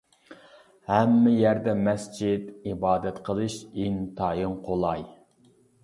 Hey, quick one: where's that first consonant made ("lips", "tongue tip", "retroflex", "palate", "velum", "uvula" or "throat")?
throat